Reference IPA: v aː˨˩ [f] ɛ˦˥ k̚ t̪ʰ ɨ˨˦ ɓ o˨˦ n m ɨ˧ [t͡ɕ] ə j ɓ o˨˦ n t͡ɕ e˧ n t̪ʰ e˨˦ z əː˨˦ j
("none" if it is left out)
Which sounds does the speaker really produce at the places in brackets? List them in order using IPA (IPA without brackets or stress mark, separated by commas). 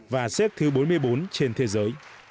s, none